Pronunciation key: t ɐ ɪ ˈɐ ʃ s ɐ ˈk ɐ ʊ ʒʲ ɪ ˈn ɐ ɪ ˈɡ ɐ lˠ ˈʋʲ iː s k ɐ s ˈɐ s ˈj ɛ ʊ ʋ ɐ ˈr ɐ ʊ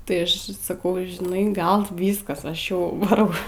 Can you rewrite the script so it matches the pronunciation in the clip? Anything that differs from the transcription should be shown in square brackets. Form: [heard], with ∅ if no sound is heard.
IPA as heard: t ɐ ɪ ˈɐ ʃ s ɐ ˈk ɐ ʊ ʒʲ ɪ ˈn ɐ ɪ ˈɡ ɐ lˠ ˈʋʲ iː s k ɐ s ˈɐ [ʃ] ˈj ɛ ʊ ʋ ɐ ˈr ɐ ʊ